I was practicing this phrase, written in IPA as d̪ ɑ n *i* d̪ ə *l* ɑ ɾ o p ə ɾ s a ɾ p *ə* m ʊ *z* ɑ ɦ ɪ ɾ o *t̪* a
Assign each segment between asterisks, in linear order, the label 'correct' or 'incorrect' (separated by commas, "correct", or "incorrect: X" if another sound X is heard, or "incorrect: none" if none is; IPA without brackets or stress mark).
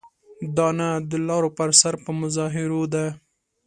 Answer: incorrect: a, correct, correct, correct, incorrect: d̪